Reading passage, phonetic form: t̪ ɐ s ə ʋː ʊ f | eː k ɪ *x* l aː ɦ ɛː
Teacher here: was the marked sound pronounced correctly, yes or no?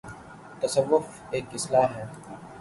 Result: no